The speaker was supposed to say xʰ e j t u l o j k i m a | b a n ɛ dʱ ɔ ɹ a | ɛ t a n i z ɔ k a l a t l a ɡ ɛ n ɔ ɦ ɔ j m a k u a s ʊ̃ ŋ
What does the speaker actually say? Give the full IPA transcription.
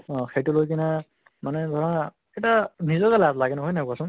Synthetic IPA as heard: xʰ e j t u l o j k i n a | m a n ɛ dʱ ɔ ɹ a | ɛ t a n i z ɔ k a l a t l a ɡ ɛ n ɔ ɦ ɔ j n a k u a s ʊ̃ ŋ